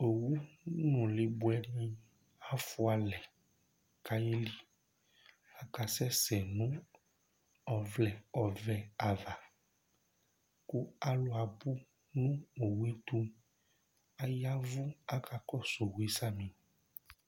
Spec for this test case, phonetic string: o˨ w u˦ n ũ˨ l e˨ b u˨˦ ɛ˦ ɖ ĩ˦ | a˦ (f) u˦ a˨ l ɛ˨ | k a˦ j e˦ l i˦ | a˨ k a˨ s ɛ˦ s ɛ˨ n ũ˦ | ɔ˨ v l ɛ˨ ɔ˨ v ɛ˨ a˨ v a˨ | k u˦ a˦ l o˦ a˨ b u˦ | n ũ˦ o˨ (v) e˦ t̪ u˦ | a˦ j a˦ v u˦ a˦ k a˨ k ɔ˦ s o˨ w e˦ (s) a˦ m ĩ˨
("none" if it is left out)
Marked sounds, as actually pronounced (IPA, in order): f, w, s

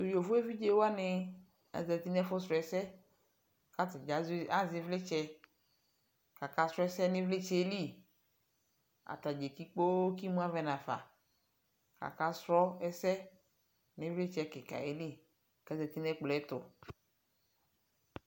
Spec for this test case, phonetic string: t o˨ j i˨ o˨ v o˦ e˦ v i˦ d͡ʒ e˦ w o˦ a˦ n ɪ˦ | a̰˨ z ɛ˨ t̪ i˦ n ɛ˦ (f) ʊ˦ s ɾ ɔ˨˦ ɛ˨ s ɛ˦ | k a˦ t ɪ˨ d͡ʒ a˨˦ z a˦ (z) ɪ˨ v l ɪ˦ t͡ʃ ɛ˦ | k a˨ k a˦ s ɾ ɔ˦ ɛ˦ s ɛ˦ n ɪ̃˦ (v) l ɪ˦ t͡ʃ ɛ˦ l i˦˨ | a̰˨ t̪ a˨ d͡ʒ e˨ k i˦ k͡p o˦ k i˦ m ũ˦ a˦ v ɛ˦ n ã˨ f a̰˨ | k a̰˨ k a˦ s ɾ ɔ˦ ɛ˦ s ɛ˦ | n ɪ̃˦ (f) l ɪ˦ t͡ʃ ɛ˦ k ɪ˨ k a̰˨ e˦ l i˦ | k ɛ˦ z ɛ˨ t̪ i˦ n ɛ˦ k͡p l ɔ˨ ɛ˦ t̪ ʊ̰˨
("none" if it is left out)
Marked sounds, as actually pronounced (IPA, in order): f, z, v, v

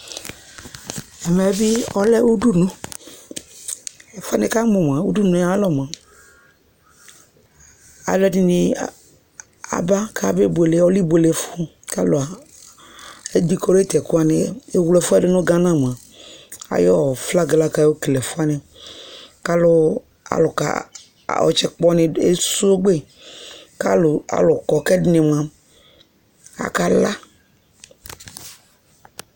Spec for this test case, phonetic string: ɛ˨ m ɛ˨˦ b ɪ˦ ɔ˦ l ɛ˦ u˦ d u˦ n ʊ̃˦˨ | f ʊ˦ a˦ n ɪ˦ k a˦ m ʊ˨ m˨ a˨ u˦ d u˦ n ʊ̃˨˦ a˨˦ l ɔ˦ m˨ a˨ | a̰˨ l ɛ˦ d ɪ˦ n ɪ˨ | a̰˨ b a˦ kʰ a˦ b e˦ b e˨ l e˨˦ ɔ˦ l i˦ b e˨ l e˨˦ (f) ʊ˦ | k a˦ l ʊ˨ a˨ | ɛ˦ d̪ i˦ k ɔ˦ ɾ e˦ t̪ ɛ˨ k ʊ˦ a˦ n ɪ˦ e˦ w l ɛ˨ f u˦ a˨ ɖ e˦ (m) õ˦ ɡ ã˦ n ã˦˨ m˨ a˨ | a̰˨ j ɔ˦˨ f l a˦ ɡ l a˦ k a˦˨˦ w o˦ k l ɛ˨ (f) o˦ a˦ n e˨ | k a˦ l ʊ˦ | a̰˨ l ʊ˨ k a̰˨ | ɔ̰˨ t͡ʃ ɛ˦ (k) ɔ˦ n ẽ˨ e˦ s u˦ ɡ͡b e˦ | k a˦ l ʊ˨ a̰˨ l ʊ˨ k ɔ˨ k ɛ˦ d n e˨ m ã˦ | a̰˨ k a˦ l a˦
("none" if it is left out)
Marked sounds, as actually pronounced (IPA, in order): f, n, f, k͡p

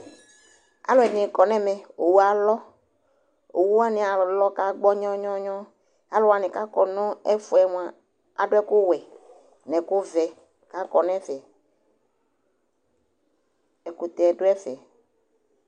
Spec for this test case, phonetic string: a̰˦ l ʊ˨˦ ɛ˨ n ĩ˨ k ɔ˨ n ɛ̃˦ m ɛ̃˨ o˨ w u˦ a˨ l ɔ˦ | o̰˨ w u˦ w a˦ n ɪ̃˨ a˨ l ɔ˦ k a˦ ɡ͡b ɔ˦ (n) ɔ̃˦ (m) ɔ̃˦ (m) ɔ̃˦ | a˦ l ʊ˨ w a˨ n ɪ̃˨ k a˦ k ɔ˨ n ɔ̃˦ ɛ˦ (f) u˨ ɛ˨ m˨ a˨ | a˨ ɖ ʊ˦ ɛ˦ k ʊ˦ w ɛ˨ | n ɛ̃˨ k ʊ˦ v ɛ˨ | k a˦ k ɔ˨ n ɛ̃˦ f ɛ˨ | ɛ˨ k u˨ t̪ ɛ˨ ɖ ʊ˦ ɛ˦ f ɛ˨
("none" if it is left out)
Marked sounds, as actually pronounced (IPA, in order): ɲ, ɲ, ɲ, f

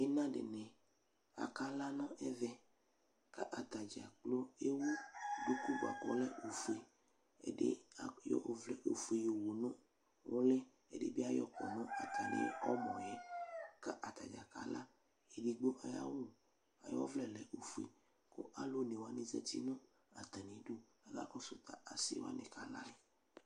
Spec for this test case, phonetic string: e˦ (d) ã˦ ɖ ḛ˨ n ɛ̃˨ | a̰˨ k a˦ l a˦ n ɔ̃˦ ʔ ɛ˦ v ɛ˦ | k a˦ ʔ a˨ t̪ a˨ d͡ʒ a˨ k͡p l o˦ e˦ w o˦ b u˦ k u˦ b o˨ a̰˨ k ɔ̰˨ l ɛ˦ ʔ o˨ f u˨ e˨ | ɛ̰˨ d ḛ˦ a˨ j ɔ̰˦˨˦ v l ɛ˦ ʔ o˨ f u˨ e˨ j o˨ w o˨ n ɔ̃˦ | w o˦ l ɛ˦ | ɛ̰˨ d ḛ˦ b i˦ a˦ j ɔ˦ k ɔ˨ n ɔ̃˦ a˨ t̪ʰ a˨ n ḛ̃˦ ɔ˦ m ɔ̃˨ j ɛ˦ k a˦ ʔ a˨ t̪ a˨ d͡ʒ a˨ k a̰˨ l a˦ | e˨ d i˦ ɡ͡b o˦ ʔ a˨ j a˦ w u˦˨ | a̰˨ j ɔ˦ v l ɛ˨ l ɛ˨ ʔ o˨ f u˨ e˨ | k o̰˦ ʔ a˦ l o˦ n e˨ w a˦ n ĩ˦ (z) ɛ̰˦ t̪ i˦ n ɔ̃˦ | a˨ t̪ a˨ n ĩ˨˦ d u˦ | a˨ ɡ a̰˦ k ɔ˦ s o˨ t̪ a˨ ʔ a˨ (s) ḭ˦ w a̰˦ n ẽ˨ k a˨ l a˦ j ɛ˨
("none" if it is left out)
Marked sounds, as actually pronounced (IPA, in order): n, z, s

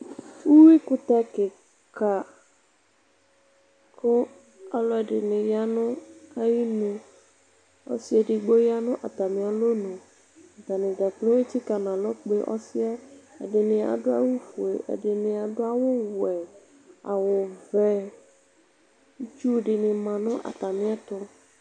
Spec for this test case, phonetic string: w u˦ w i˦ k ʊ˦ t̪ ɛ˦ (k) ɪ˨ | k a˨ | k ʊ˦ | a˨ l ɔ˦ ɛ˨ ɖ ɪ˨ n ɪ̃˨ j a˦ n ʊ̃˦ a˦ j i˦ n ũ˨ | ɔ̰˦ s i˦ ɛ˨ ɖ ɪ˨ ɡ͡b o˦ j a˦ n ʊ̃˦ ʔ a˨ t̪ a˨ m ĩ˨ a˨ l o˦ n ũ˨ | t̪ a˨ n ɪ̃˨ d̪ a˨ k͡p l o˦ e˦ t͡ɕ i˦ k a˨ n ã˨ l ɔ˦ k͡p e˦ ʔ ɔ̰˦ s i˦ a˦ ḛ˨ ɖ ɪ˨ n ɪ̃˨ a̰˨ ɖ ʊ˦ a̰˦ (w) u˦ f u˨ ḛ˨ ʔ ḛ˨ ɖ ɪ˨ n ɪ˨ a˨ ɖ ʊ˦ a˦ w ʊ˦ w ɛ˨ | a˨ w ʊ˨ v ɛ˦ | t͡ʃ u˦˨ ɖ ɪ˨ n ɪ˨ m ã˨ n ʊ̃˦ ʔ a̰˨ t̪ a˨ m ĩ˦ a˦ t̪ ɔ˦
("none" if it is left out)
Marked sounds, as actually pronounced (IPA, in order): k, w

